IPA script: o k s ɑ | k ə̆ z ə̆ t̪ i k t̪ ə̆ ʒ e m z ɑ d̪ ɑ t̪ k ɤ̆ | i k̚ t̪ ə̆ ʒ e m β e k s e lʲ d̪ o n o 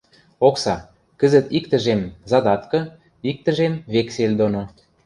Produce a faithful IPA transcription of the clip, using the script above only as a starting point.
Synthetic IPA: o k s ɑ | k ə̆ z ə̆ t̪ i k t̪ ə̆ ʒ e m z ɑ d̪ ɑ t̪ k ɤ̆ | i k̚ t̪ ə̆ ʒ e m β e k s e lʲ d̪ o n o